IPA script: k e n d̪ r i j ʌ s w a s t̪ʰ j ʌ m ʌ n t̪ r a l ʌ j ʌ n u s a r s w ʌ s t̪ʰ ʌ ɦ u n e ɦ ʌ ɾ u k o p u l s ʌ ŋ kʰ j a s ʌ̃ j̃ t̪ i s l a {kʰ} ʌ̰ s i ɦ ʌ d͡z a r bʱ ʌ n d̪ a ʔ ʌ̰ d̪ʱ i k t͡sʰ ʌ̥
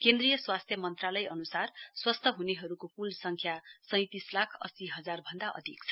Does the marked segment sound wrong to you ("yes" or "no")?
no